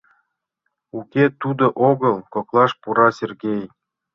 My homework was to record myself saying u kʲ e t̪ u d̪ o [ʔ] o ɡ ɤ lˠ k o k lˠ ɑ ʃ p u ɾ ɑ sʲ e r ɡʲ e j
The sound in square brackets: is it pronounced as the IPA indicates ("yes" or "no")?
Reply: yes